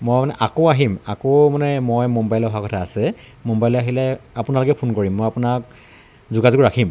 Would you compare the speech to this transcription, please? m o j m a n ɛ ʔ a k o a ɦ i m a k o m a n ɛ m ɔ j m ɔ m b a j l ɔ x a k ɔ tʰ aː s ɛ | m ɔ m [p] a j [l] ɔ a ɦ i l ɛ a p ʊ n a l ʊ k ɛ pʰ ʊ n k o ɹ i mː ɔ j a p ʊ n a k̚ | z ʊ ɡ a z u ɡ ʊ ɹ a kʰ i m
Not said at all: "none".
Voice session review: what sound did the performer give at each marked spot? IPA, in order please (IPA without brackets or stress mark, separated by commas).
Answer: b, l